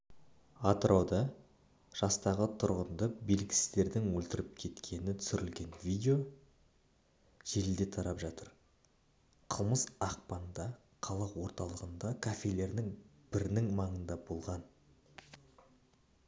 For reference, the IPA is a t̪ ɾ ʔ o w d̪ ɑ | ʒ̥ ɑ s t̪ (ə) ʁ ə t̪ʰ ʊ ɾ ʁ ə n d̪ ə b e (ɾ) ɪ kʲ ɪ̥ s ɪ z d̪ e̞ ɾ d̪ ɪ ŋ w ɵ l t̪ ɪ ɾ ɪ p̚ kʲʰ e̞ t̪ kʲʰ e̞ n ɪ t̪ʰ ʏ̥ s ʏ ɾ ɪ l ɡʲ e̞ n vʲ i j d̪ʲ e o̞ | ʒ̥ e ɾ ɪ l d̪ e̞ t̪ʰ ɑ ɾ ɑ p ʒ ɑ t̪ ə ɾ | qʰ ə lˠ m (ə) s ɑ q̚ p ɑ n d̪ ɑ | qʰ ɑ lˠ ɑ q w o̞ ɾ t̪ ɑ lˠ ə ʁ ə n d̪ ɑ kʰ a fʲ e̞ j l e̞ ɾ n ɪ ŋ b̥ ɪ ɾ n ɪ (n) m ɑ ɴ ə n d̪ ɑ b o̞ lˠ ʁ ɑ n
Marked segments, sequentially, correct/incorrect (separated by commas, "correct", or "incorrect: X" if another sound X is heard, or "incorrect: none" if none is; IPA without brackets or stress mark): incorrect: ɑ, incorrect: l, correct, incorrect: ŋ